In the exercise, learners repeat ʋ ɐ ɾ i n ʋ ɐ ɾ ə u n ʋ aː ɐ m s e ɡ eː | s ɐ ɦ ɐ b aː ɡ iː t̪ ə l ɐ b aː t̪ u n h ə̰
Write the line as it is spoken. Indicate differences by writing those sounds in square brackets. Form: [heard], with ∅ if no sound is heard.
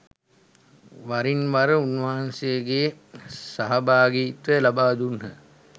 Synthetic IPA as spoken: ʋ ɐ ɾ i n ʋ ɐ ɾ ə u n ʋ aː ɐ [n] s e ɡ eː | s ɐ ɦ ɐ b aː ɡ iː t̪ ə l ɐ b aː [d̪] u n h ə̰